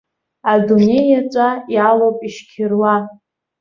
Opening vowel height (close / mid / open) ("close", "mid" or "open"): open